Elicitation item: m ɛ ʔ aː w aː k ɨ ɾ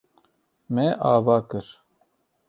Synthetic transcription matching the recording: m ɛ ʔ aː v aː k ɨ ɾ